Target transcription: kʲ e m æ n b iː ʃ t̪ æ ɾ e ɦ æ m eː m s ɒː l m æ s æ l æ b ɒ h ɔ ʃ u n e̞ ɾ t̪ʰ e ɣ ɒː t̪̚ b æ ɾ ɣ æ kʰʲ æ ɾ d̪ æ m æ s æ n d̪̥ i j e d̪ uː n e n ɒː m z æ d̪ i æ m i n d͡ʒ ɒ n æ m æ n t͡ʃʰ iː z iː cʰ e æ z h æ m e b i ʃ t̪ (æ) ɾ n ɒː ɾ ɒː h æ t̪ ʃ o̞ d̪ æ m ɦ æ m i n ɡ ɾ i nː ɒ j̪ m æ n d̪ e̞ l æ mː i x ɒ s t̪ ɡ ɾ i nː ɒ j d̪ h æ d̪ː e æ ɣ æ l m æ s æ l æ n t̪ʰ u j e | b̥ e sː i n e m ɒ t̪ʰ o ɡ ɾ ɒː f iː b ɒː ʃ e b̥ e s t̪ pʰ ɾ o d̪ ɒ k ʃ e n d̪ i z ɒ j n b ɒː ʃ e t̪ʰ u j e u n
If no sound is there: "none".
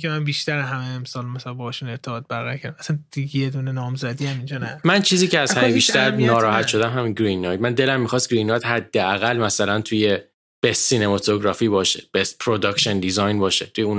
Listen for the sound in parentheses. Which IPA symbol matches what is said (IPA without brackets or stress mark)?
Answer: æ